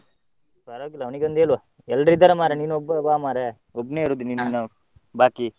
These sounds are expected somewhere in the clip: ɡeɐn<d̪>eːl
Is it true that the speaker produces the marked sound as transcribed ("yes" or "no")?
yes